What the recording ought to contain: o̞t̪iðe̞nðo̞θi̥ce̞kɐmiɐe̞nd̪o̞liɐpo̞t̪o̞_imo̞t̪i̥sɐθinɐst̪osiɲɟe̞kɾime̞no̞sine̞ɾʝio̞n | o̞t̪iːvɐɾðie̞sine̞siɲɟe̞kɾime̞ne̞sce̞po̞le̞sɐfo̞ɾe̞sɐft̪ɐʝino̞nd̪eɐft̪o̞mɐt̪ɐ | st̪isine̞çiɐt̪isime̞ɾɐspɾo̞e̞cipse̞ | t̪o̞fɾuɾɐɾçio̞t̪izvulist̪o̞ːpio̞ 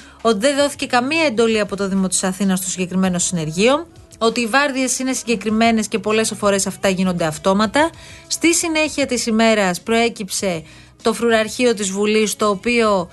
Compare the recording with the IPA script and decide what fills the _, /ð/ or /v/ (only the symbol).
ð